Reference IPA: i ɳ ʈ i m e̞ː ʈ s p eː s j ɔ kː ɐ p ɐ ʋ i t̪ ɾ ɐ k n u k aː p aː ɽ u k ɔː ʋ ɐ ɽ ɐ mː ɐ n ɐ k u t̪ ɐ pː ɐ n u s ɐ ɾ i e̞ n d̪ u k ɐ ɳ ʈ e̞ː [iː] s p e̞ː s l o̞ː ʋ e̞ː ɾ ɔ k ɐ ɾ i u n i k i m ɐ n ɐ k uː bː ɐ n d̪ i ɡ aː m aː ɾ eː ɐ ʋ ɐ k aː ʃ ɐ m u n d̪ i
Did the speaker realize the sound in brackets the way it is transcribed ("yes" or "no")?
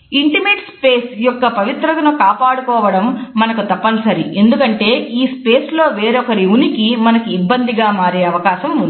yes